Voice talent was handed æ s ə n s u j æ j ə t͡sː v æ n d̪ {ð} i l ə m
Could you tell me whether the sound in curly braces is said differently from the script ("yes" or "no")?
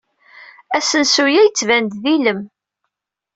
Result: no